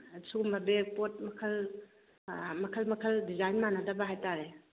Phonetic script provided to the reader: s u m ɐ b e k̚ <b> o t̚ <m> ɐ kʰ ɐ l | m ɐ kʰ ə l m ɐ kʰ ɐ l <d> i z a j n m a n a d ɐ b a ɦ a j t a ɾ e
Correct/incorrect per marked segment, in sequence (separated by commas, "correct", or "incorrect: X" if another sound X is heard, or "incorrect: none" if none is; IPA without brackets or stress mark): incorrect: p, correct, correct